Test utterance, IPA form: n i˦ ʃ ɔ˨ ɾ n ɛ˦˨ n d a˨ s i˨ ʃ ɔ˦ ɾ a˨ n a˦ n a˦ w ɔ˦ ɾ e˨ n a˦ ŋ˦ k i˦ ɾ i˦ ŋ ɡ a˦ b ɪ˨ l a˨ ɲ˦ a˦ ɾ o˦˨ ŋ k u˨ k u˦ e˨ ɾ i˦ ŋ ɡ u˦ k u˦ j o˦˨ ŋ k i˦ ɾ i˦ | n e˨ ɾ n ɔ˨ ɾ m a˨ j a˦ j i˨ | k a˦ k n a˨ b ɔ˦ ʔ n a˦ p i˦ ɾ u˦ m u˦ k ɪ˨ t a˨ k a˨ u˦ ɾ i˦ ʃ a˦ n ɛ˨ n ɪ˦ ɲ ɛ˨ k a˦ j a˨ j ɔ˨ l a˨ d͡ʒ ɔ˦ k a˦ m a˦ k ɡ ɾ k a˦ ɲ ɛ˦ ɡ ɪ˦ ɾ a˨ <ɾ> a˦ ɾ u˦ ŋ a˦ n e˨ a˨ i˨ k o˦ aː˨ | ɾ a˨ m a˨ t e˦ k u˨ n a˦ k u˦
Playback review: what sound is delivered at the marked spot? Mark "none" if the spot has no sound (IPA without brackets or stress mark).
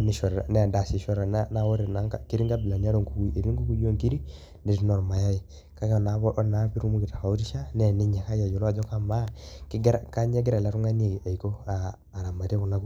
l